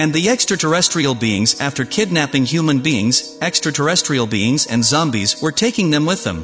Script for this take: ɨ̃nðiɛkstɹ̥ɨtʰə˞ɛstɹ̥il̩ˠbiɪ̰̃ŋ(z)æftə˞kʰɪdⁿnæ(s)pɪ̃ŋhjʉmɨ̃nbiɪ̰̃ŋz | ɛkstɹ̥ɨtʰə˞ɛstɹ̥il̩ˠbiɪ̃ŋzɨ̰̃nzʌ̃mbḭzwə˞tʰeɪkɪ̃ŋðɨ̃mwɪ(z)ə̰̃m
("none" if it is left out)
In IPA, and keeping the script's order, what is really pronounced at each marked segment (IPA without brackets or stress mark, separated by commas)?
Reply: z, none, ð